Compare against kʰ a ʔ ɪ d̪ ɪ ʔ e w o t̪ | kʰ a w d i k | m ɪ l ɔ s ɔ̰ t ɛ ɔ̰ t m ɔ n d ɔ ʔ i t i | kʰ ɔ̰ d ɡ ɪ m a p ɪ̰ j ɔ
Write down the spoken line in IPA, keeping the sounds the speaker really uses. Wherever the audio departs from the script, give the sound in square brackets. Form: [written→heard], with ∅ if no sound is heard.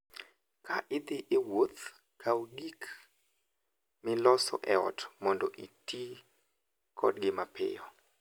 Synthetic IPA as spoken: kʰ a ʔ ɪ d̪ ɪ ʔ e w o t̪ | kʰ a w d i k | m ɪ l ɔ s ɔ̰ [t→ʔ] ɛ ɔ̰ t m ɔ n d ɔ ʔ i t i | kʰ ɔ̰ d ɡ ɪ m a p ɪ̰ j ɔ